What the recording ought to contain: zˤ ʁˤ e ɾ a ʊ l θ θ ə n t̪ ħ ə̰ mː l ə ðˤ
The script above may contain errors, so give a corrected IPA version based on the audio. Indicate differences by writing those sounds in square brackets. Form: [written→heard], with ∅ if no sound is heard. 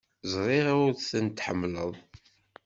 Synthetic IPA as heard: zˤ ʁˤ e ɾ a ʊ [l→ɾ] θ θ ə n t̪ ħ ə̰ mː l ə ðˤ